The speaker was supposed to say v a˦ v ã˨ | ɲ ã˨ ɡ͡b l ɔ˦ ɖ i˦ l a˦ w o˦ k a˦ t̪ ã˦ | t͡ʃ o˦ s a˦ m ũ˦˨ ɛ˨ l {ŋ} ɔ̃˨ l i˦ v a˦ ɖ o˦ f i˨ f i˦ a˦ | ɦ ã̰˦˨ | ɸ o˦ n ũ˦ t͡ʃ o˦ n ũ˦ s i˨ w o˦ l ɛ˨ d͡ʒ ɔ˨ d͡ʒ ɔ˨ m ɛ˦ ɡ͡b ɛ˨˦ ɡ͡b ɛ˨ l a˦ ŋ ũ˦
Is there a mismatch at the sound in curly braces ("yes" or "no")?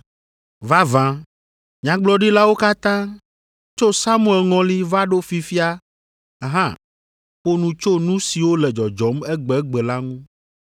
no